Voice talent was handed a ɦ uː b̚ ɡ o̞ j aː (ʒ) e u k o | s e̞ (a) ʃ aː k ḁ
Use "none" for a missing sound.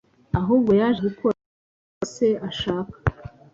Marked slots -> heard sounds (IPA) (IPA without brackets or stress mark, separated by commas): ʒ, a